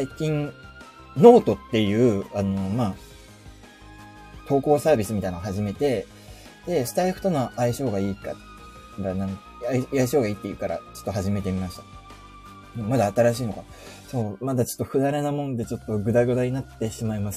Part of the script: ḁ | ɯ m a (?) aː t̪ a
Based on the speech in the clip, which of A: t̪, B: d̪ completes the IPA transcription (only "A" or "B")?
B